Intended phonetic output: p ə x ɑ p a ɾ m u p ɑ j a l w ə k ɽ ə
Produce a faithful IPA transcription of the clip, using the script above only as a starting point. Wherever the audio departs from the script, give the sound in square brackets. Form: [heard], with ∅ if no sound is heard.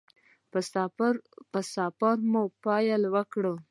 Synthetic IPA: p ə [s] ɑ p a ɾ m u p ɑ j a l w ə k ɽ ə